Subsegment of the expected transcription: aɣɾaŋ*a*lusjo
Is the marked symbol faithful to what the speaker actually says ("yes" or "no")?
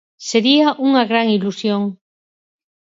no